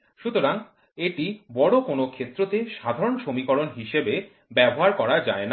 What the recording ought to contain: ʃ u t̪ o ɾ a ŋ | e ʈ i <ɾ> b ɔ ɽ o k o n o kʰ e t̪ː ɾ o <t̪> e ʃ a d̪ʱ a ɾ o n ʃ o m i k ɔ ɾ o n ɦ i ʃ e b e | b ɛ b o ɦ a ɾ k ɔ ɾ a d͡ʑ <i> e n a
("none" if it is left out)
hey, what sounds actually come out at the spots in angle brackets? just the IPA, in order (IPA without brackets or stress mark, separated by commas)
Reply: none, t̪, a